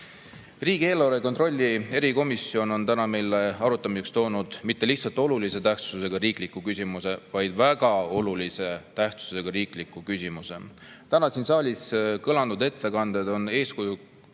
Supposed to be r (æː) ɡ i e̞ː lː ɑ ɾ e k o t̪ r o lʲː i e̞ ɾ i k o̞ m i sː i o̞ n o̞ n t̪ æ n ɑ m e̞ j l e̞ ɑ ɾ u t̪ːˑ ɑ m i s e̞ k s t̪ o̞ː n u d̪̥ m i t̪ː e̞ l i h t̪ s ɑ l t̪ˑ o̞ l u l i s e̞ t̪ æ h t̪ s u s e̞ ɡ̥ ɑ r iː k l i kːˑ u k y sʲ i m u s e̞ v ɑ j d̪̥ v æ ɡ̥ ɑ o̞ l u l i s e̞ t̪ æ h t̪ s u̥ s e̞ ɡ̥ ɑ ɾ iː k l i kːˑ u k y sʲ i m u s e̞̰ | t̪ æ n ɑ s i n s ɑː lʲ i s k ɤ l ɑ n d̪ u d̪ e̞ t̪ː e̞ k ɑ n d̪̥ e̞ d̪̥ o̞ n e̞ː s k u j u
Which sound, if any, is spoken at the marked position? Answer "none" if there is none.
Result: iː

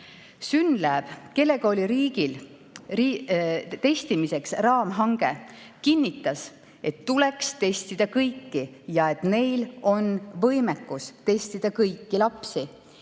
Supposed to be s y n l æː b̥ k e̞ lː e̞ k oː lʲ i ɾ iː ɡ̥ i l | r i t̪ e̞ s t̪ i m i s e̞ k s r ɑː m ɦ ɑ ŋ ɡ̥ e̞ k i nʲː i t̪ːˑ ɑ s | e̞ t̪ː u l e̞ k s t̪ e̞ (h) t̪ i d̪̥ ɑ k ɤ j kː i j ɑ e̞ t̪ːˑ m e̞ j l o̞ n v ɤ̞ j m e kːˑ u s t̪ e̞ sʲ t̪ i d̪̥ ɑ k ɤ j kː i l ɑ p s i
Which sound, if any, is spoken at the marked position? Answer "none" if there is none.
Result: s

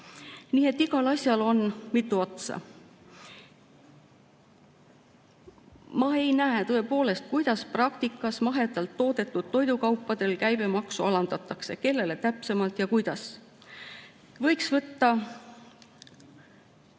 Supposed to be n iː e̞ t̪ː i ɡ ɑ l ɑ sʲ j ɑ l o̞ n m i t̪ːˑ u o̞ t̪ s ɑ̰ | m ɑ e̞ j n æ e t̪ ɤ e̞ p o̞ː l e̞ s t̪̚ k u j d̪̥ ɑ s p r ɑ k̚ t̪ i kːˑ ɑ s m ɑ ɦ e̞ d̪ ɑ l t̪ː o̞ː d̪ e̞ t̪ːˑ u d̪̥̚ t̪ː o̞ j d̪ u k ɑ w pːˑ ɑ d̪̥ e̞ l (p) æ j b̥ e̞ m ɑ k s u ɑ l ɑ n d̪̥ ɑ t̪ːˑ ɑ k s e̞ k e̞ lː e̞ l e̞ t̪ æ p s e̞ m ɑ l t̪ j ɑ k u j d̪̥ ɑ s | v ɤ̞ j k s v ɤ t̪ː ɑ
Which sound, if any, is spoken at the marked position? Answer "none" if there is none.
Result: k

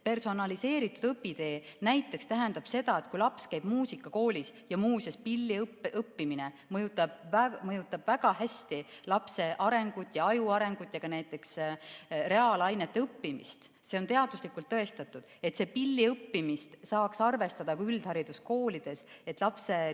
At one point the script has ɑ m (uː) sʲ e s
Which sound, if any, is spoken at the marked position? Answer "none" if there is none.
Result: uː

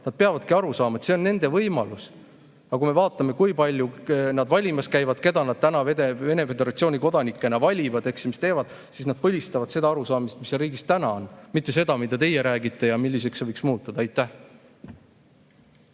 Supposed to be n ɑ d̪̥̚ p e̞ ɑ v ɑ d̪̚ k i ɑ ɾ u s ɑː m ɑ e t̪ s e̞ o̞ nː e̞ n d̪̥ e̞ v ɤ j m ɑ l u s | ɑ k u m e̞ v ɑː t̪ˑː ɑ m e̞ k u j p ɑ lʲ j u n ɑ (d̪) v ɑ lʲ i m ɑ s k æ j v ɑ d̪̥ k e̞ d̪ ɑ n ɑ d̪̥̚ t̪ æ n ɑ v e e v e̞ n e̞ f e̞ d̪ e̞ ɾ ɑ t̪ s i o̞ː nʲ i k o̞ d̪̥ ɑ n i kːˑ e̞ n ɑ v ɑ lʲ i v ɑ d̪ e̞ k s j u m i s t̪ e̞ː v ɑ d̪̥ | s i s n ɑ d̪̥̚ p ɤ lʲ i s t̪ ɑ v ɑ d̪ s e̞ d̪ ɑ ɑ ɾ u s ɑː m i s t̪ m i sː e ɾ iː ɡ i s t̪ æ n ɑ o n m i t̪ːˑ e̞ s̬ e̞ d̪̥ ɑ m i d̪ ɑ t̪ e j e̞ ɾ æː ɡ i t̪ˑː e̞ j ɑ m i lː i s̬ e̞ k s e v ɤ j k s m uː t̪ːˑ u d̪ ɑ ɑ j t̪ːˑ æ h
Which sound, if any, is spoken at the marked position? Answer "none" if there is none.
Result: d̪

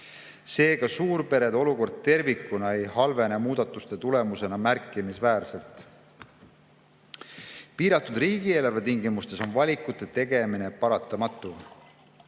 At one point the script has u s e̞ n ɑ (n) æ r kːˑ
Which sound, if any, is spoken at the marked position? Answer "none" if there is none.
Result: m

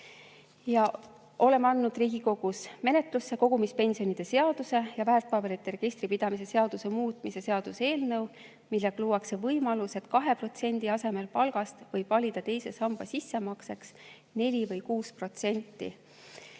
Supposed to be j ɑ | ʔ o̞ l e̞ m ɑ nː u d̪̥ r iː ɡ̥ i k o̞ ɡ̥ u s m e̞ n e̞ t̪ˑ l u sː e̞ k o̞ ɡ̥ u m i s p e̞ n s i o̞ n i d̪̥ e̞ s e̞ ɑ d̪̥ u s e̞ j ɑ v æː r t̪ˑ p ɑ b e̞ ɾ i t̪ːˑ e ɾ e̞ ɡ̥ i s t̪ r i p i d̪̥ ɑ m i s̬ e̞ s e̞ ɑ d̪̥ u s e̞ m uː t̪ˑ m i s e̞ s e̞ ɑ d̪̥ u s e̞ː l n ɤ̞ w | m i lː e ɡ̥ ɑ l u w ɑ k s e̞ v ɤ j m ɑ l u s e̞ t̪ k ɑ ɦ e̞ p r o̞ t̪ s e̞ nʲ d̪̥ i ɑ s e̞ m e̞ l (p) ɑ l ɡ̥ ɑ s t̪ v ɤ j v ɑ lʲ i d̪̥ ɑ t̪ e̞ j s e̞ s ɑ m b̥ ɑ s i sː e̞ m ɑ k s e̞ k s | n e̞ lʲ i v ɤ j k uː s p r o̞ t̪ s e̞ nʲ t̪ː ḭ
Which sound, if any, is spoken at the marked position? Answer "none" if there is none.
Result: p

